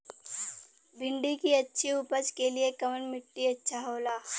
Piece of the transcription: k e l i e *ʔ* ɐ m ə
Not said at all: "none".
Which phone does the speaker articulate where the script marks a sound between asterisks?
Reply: k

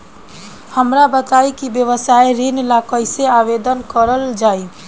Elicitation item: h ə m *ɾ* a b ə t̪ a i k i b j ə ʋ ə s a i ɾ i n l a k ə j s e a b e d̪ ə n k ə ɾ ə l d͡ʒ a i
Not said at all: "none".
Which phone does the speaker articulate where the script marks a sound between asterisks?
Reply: ɾ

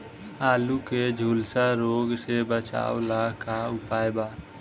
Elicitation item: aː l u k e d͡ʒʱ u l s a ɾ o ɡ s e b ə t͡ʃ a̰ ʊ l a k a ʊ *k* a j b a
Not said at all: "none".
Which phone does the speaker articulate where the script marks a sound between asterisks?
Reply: p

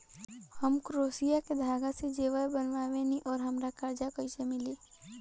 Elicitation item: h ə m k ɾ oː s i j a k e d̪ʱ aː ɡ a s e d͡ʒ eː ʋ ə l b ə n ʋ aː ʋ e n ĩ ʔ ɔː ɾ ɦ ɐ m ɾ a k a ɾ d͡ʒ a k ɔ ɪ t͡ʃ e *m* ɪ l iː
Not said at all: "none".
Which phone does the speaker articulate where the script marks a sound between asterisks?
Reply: m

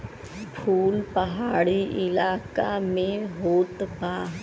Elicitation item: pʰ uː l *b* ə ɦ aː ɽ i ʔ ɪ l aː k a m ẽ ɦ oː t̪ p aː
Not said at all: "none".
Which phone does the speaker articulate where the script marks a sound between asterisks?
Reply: p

